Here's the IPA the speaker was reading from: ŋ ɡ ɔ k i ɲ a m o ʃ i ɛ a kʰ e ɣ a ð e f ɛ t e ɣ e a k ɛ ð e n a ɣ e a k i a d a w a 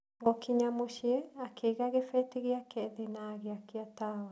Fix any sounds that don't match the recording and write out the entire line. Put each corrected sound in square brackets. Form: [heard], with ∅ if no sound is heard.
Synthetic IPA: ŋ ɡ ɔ k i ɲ a m o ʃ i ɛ a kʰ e ɣ a [ɣ] e f ɛ t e ɣ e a k ɛ ð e n a ɣ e a k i a [t] a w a